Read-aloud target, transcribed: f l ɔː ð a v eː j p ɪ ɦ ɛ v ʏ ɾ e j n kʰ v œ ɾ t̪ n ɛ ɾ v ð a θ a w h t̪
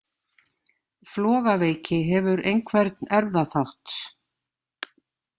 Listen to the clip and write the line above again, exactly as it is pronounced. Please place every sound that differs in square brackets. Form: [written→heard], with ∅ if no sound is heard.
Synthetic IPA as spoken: f l ɔː [ð→ɣ] a v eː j [p→c] ɪ ɦ ɛ v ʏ ɾ e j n kʰ v [œ→ɛ] ɾ t̪ n ɛ ɾ v ð a θ a w h t̪

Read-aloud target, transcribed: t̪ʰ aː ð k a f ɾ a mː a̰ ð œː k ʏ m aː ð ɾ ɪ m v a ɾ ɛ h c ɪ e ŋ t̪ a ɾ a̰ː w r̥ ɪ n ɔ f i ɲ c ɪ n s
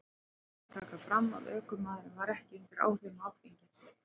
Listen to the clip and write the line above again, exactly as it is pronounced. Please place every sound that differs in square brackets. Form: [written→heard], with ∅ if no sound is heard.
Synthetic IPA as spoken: t̪ʰ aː [ð→∅] k a f ɾ a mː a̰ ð œː k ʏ m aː ð ɾ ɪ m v a ɾ ɛ h c ɪ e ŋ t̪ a ɾ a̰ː w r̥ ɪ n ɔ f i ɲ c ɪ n s

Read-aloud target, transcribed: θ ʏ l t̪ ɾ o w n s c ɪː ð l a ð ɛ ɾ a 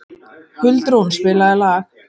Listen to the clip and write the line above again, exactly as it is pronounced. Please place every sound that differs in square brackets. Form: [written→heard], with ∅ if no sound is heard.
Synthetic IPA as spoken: [θ→h] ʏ l t̪ ɾ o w n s [c→p] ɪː [ð→∅] l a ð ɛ [ɾ→l] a

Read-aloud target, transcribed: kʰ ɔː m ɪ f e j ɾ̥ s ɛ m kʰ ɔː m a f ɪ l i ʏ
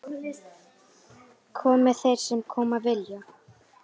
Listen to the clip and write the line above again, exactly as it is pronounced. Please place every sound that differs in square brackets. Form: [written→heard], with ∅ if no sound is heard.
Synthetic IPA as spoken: kʰ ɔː m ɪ [f→θ] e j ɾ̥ s ɛ m kʰ ɔː m a [f→v] ɪ l [i→j] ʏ

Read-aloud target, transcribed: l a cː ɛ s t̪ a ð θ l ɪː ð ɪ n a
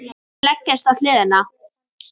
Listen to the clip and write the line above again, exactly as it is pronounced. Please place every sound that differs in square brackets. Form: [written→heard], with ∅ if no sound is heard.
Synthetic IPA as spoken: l [a→ɛ] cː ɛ s t̪ a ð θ l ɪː ð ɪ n a

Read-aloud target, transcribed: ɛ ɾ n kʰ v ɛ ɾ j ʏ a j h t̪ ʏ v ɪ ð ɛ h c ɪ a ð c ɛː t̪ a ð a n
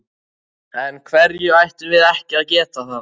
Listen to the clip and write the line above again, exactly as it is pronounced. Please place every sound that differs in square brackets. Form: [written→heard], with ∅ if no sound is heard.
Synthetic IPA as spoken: ɛ [ɾ→∅] n kʰ v ɛ ɾ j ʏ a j h t̪ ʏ v ɪ ð ɛ h c ɪ a ð c ɛː t̪ a [ð→θ] a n

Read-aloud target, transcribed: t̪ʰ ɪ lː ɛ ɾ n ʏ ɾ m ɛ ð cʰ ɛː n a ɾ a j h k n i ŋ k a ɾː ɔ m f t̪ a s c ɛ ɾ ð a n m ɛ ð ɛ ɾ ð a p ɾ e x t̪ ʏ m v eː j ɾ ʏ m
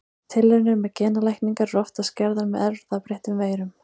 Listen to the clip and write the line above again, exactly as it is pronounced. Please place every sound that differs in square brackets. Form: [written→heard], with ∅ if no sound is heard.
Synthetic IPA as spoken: t̪ʰ ɪ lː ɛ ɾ n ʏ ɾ m ɛ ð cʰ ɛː n a [ɾ→l] a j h k n i ŋ k a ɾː ɔ [m→∅] f t̪ a s c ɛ ɾ ð a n m ɛ ð ɛ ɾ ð a p ɾ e [x→h] t̪ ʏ m v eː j ɾ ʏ m

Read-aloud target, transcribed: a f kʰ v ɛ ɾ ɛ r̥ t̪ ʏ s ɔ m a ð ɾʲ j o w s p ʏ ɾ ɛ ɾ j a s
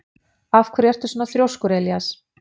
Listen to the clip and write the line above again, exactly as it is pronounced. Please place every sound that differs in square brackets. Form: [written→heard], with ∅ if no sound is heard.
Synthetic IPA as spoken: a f kʰ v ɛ ɾ ɛ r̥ t̪ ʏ s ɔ [m→n] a [ð→θ] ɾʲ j o w s [p→k] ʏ ɾ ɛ [ɾ→l] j a s

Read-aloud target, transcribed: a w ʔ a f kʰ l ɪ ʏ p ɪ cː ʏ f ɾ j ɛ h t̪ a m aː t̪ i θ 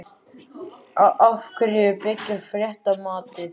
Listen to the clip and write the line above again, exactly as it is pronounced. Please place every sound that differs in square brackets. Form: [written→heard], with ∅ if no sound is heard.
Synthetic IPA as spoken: a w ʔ a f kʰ [l→ɾ] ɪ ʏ p ɪ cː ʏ f ɾ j ɛ h t̪ a m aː t̪ [i→ɪ] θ

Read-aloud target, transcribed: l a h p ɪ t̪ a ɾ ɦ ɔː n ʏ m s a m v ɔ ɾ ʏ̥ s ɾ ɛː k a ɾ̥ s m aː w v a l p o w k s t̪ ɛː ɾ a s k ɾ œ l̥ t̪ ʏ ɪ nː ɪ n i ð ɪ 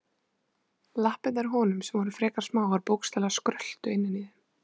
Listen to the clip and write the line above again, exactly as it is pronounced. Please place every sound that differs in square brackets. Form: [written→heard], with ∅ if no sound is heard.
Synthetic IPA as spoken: l a h p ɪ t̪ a ɾ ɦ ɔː n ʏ m s [a→ɛ] m v ɔ ɾ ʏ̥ [s→f] ɾ ɛː k a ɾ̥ s m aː w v a [l→ɾ] p o w k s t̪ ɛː [ɾ→l] a s k ɾ œ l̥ t̪ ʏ ɪ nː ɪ n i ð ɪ

